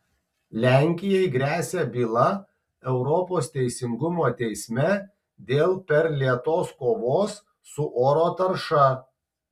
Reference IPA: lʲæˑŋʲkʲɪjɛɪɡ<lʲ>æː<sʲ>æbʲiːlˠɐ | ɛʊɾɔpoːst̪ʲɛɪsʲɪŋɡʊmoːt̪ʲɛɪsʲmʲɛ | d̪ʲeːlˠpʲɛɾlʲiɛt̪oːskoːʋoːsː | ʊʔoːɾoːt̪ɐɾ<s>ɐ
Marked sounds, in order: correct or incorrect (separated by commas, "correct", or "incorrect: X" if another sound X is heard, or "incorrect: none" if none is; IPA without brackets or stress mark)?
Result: incorrect: ɾʲ, correct, incorrect: ʃ